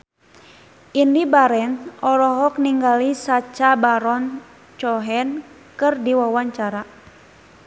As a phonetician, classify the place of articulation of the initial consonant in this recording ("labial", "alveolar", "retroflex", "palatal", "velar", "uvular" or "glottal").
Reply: alveolar